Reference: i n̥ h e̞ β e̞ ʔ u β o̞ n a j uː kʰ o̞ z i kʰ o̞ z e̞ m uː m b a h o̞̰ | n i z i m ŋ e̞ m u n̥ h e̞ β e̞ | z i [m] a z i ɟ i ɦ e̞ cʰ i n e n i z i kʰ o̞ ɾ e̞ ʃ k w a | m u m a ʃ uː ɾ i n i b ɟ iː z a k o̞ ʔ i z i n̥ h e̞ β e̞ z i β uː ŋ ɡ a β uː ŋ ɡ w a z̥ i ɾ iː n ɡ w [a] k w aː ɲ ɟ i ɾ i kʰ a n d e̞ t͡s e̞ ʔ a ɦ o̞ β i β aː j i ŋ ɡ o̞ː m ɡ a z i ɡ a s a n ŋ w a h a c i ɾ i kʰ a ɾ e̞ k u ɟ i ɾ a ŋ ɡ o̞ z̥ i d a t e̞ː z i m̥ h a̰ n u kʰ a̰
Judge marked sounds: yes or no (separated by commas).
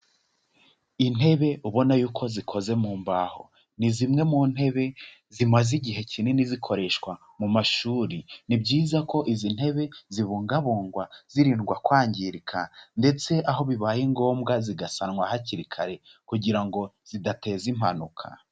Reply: yes, yes